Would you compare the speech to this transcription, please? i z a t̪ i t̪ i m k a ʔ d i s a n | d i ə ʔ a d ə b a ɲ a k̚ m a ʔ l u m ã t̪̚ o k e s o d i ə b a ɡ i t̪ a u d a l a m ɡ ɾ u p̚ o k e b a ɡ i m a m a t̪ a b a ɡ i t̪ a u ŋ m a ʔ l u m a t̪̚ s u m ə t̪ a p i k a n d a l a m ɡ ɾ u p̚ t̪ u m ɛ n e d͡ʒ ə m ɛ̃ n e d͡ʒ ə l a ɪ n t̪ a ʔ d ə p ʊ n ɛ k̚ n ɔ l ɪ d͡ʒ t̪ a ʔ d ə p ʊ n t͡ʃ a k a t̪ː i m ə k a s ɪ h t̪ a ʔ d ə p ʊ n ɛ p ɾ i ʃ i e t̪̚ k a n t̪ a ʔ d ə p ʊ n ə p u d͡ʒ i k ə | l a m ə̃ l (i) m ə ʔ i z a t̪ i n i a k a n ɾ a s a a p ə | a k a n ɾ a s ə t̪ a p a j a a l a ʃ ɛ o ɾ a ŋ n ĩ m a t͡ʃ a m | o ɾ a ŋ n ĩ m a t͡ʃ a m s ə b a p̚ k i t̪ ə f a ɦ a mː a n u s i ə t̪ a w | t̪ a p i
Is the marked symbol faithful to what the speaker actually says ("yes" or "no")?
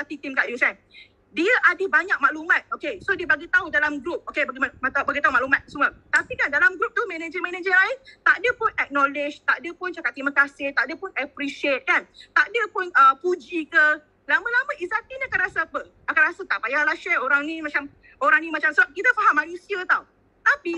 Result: no